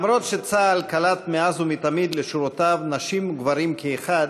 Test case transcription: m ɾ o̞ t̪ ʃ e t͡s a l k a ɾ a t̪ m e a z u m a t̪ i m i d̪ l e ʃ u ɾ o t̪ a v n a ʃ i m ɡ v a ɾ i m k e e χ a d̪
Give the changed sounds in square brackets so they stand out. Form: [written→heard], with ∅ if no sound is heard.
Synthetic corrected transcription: m ɾ o̞ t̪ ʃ e t͡s a l k a [ɾ→l] a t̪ m e a z u m [a→i] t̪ [i→a] m i d̪ l e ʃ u ɾ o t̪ a v n a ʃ i m ɡ v a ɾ i m k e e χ a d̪